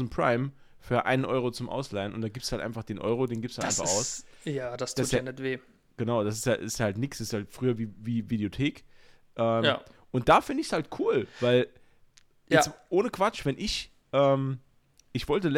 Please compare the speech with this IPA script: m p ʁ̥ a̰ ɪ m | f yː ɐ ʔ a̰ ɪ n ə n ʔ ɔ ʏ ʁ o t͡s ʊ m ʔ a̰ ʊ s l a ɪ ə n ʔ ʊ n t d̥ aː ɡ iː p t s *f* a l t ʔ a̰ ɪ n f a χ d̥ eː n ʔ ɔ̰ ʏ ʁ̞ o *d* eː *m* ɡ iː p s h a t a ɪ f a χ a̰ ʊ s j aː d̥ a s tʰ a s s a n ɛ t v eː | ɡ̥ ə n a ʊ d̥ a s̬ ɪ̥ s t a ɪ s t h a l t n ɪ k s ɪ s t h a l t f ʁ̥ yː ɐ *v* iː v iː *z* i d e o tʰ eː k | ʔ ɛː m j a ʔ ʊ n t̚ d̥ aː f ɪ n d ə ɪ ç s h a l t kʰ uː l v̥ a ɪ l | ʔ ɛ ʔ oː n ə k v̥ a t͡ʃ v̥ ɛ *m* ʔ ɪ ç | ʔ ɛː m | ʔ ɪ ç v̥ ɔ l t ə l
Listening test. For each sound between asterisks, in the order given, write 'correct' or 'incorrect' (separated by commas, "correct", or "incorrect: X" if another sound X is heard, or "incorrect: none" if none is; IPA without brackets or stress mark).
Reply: incorrect: h, correct, incorrect: n, correct, incorrect: v, incorrect: n